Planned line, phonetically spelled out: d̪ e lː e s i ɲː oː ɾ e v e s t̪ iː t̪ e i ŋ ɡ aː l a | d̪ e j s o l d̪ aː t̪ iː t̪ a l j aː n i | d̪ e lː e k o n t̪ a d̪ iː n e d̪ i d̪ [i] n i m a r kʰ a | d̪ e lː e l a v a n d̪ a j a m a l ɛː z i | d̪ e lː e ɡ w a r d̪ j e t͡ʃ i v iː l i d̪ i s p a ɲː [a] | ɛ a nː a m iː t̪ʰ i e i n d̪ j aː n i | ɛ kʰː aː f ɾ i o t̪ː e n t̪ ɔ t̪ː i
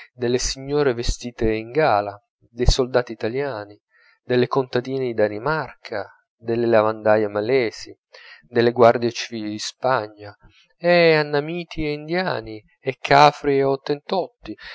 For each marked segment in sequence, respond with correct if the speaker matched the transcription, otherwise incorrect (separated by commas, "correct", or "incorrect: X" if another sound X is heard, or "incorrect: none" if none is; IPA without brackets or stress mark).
incorrect: a, correct